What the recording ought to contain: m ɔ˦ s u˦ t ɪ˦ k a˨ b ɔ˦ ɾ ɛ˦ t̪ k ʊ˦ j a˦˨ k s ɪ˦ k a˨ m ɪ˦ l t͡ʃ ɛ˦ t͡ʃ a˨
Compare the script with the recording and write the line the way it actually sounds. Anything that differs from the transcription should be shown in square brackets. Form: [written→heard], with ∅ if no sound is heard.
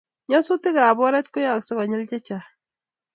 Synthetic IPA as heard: [m→ɲ] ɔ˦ s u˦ t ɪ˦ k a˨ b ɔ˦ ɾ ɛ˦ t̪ k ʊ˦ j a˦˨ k s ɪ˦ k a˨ [m→ɲ] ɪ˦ l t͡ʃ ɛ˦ t͡ʃ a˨